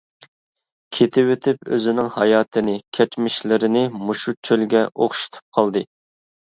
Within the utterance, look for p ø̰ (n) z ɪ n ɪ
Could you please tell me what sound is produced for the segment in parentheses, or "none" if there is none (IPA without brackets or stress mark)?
none